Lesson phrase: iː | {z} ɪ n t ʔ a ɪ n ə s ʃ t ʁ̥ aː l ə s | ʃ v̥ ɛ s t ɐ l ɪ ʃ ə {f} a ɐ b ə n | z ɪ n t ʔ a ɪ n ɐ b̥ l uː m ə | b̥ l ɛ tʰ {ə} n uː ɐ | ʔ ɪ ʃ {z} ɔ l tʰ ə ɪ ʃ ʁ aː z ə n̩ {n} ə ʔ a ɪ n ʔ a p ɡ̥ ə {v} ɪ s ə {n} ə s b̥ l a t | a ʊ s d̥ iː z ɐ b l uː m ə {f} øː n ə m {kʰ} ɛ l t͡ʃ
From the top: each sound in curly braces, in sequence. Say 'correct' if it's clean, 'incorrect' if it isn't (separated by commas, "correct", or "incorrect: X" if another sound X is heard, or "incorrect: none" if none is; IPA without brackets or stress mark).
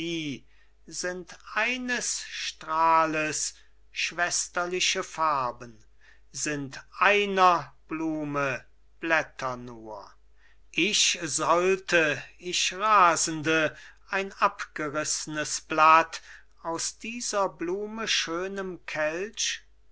correct, correct, incorrect: ɐ, correct, incorrect: d, incorrect: ʁ, correct, incorrect: ʃ, correct